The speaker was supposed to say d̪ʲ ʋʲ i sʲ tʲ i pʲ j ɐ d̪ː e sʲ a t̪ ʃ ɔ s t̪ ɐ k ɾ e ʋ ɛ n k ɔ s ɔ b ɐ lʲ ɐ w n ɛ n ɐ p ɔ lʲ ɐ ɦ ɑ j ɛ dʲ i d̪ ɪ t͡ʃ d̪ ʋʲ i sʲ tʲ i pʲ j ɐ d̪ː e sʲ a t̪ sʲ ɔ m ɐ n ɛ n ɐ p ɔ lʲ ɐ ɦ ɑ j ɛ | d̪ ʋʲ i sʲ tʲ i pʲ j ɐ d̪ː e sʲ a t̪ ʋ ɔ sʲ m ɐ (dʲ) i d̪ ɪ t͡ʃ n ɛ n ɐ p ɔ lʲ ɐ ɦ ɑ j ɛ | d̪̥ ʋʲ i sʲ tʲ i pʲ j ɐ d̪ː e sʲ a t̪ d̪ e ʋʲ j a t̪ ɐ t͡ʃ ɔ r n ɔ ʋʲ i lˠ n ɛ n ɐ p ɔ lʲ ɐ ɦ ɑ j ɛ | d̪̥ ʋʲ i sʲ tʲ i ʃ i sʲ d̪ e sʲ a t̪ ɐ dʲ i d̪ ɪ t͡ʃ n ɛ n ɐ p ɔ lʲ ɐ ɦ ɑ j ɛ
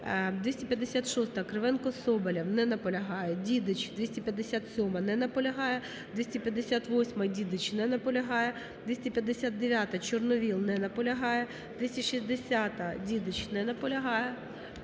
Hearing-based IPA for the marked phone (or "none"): dʲ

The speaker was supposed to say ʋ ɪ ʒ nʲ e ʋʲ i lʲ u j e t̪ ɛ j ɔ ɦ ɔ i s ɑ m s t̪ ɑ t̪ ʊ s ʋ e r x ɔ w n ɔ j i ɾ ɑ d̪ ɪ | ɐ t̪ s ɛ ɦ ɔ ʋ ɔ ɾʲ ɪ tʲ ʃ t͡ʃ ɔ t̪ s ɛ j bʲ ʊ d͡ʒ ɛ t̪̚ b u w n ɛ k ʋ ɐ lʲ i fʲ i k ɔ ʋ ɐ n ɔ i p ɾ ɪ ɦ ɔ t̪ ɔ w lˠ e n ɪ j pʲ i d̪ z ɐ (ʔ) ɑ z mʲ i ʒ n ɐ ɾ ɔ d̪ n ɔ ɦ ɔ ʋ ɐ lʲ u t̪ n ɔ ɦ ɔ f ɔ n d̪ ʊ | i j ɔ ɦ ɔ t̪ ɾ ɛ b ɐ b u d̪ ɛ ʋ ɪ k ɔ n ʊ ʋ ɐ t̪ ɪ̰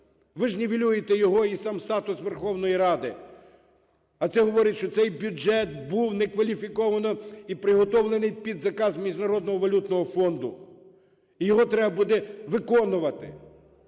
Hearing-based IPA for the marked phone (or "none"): k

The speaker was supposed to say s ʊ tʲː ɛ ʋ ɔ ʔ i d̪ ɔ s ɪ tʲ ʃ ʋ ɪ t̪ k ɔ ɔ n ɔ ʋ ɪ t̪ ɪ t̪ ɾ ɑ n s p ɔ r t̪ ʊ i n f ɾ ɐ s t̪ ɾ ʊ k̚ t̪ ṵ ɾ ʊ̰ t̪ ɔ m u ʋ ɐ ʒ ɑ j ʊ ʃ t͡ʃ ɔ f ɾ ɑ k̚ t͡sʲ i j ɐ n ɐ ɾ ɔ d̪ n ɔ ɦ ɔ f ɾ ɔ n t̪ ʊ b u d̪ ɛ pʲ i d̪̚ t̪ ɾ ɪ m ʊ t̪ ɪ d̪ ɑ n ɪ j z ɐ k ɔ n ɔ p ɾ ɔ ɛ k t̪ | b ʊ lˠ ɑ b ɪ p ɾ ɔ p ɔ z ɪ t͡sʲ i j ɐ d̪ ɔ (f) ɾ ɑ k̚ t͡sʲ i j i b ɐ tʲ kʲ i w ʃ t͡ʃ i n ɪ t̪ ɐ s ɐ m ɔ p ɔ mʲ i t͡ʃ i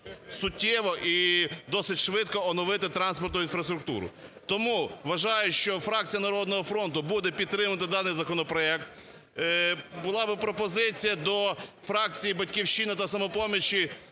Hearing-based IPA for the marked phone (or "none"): f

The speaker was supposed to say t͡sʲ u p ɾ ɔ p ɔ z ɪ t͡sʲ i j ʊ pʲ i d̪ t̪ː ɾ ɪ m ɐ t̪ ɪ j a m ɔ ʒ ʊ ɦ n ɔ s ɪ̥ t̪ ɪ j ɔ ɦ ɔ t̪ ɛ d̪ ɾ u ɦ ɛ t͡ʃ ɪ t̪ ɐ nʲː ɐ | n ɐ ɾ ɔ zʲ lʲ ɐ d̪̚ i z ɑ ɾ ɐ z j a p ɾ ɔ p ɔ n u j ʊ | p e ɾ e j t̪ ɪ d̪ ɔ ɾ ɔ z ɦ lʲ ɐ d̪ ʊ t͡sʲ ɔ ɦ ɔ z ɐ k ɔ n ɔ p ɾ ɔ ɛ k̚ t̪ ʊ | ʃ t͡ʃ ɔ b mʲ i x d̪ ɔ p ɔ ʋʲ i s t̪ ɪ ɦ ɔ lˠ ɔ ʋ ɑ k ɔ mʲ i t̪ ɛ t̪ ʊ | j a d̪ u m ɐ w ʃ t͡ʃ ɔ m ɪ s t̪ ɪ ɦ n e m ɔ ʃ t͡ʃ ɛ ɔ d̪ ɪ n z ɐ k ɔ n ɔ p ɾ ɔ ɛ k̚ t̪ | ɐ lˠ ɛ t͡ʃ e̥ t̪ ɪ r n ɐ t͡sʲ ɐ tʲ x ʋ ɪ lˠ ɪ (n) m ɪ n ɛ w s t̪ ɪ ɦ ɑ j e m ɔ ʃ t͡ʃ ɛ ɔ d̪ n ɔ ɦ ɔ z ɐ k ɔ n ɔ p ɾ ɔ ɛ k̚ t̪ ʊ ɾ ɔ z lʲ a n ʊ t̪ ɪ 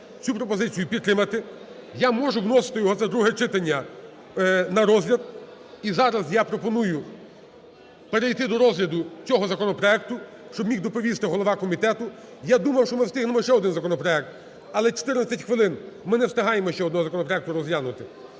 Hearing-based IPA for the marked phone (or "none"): n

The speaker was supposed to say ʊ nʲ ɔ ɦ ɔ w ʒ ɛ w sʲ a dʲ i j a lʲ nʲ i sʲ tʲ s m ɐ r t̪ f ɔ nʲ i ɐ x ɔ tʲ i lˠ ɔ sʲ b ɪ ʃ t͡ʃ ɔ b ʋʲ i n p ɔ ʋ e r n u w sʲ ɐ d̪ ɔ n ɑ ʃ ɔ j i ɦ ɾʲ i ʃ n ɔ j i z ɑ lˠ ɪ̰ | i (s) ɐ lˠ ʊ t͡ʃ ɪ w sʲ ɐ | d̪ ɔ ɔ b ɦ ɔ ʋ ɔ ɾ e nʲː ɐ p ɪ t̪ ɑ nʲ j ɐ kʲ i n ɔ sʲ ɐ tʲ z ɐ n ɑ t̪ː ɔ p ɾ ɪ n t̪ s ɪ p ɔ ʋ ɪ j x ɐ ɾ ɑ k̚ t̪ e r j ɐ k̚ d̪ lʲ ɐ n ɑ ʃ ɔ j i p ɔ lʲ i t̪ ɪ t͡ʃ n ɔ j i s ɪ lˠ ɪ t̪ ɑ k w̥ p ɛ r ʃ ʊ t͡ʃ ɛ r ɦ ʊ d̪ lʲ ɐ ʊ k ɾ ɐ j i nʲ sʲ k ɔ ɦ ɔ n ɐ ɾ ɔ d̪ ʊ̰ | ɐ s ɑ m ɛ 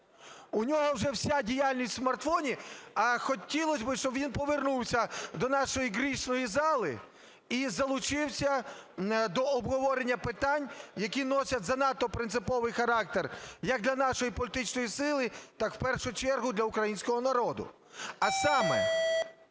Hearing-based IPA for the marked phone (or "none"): z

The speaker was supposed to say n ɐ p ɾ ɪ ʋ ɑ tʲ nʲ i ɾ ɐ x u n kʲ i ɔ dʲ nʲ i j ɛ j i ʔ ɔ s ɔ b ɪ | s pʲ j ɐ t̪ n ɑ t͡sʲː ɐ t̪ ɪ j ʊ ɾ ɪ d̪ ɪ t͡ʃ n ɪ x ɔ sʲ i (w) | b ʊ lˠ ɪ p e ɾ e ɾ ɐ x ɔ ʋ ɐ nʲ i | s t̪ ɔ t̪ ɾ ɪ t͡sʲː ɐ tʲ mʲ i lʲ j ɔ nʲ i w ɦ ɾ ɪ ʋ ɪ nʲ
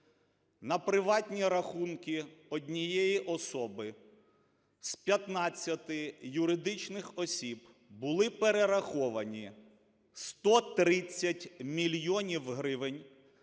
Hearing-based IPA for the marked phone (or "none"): b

